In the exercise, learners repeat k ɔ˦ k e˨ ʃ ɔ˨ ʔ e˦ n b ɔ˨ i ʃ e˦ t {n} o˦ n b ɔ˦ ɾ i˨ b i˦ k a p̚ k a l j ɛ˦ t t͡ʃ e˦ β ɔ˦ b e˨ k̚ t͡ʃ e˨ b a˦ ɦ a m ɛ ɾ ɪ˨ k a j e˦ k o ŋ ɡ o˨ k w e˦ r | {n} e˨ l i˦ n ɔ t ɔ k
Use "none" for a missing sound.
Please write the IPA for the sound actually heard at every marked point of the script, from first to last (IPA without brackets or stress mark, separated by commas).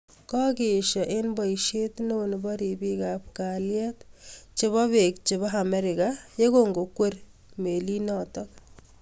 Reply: n, m